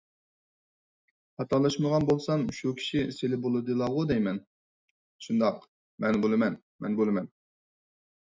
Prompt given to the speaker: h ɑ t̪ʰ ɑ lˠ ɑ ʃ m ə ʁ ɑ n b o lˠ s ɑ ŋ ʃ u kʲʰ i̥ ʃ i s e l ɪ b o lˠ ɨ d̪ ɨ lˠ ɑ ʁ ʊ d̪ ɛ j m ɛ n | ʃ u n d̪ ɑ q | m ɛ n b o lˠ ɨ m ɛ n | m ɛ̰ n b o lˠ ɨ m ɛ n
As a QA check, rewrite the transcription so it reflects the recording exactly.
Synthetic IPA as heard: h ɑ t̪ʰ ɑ lˠ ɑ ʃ m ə ʁ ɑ n b o lˠ s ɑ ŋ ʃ u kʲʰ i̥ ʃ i s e l ɪ b o lˠ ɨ d̪ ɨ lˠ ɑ ʁ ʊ d̪ ɛ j m ɛ n | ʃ u n d̪ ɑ q | m ɛ n b o lˠ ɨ m ɛ n | m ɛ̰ n b o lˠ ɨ m ɛ n

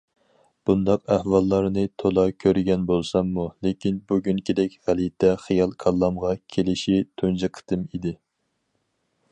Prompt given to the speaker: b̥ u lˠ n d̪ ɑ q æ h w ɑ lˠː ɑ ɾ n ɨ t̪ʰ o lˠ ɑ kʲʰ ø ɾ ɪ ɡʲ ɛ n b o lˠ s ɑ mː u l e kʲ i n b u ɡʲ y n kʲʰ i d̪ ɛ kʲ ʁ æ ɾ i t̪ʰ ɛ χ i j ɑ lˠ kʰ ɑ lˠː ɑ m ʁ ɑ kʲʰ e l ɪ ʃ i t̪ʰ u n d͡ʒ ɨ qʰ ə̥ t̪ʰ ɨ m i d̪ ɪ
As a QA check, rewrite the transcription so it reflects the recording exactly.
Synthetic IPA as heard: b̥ u n d̪ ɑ q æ h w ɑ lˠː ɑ ɾ n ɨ t̪ʰ o lˠ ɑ kʲʰ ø ɾ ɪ ɡʲ ɛ n b o lˠ s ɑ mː u l e kʲ i n b u ɡʲ y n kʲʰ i d̪ ɛ kʲ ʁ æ l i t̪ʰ ɛ χ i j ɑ lˠ kʰ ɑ lˠː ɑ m ʁ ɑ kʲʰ e l ɪ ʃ i t̪ʰ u n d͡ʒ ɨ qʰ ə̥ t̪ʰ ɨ m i d̪ ɪ

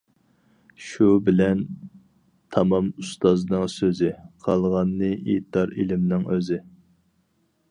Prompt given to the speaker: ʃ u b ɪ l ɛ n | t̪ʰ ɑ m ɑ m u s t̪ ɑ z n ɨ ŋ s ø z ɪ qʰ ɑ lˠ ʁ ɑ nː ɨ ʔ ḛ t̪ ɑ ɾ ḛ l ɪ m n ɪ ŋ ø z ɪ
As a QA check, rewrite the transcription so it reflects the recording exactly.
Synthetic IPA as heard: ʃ u b ɪ l ɛ n | t̪ʰ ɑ m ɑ m u s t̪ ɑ z n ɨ ŋ s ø z ɪ qʰ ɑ lˠ ʁ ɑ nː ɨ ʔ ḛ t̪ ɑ ɾ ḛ l ɪ m n ɪ ŋ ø z ɪ

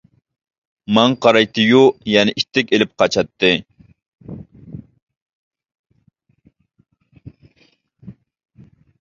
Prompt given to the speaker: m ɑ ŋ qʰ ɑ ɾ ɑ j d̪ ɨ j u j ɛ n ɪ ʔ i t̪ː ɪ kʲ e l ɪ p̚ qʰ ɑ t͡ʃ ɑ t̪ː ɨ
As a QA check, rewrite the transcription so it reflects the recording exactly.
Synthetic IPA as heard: m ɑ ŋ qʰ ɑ ɾ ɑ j t̪ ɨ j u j ɛ n ɪ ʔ i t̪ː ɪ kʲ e l ɪ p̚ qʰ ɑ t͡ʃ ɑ t̪ː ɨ

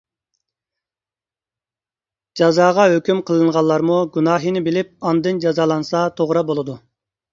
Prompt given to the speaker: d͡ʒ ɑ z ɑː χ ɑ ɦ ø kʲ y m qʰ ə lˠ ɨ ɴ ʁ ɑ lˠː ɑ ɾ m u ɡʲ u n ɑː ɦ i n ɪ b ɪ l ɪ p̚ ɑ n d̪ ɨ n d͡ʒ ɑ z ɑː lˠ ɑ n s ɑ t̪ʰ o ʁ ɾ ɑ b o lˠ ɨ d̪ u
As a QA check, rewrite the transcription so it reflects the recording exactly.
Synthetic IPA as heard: d͡ʒ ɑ z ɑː ʁ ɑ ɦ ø kʲ y m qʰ ə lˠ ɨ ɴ ʁ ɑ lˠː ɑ ɾ m u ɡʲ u n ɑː ɦ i n ɪ b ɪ l ɪ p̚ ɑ n d̪ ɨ n d͡ʒ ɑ z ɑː lˠ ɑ n s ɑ t̪ʰ o ʁ ɾ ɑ b o lˠ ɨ d̪ u

